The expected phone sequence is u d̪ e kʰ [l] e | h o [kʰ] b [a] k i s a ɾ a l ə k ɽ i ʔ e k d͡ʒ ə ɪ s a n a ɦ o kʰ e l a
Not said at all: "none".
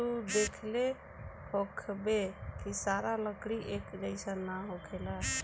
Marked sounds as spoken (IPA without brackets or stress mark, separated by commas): l, kʰ, e